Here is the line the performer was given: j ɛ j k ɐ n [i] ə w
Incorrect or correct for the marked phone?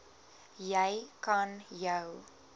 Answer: incorrect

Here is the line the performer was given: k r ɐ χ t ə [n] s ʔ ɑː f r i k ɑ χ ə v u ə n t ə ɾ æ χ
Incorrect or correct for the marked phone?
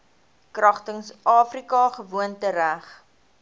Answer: incorrect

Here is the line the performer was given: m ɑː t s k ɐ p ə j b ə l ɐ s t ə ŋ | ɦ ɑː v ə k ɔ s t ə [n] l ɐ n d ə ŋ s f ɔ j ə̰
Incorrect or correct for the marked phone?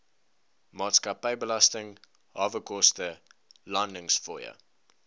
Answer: incorrect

